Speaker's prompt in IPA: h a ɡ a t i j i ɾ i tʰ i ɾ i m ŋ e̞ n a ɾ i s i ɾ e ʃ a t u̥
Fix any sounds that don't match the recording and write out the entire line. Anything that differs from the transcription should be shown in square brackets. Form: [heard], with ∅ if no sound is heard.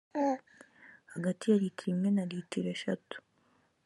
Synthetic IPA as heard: h a ɡ a t i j [a] ɾ i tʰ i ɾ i m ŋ e̞ n a ɾ i [t] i ɾ e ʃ a t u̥